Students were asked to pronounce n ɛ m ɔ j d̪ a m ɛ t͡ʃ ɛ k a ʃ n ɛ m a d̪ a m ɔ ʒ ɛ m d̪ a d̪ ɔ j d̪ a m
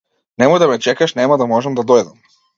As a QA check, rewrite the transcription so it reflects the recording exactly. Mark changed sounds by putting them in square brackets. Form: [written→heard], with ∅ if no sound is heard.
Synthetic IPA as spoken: n ɛ m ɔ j d̪ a m ɛ t͡ʃ ɛ k a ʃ n ɛ m a d̪ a m ɔ ʒ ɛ m d̪ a d̪ ɔ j d̪ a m